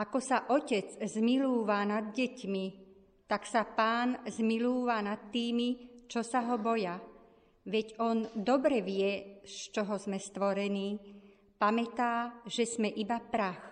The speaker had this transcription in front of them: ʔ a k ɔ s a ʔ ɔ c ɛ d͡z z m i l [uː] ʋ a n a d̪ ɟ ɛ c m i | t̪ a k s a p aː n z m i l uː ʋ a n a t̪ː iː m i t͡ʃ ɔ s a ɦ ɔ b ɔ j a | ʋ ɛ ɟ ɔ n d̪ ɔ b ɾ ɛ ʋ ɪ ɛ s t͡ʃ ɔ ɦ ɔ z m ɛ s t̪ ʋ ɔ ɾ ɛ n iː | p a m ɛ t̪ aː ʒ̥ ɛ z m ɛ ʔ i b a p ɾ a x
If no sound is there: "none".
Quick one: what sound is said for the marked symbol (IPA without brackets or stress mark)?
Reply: uː